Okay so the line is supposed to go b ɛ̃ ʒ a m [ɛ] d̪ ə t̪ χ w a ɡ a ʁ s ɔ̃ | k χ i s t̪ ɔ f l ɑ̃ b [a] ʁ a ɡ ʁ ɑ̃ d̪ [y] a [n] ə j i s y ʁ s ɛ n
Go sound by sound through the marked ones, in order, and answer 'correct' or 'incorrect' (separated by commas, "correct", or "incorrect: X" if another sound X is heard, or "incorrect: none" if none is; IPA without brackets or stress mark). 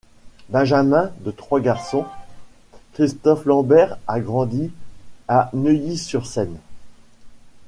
incorrect: ɛ̃, incorrect: ɛ, incorrect: i, correct